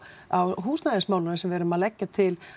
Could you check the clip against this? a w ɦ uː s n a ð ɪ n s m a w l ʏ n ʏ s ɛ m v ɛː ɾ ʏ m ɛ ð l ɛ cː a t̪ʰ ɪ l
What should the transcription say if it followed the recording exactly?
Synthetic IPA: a w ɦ uː s n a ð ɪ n s m a w l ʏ n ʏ s ɛ m v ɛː ɾ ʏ m a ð l ɛ cː a t̪ʰ ɪ l

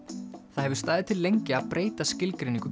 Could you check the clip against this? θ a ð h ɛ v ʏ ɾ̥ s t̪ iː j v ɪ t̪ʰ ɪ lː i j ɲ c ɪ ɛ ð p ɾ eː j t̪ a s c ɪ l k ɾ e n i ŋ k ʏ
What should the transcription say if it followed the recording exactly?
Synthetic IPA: θ a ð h ɛ v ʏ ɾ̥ s t̪ aː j ð ɪ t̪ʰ ɪ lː e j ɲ c ɪ a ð p ɾ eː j t̪ a s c ɪ l k ɾ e n i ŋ k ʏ

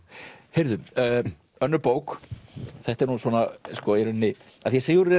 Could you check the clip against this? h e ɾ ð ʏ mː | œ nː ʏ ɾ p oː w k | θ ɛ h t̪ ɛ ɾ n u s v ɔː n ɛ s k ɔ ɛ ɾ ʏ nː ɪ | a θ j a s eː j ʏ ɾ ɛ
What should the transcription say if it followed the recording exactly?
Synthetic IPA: h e ɾ ð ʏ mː | œ nː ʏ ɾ p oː w k | θ ɛ h t̪ ɛ ɾ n u s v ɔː n a s k ɔ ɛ ɾ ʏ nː ɪ | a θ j ɛ s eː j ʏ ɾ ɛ

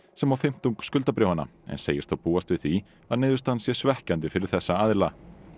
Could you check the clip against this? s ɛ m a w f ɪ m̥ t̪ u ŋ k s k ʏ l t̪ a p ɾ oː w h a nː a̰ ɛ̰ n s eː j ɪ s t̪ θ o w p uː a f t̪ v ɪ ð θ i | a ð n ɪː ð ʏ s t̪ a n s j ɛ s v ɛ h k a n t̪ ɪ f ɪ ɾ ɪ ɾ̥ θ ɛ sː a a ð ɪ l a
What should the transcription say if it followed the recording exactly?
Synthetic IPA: s ɛ m a w f ɪ m̥ t̪ u ŋ k s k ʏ l t̪ a p ɾ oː w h a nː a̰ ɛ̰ n s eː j ɪ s t̪ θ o w p uː a s t̪ v ɪ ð θ i | a ð n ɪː ð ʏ s t̪ a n s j ɛ s v ɛ h c a n t̪ ɪ f ɪ ɾ ɪ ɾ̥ θ ɛ sː a a ð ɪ l a

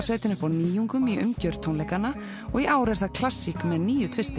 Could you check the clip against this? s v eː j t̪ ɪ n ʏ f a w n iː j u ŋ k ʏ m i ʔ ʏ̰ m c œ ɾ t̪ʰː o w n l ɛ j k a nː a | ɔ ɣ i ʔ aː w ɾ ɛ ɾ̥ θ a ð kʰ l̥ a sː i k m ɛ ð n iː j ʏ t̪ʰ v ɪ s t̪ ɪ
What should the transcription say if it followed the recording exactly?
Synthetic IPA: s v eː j t̪ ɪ n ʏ f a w n iː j u ŋ k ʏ m i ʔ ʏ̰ m c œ ɾ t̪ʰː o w n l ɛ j k a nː a | ɔ ɣ i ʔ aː w ɾ ɛ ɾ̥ θ a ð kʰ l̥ a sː i k m ɛ ð n iː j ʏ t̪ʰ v ɪ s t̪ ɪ

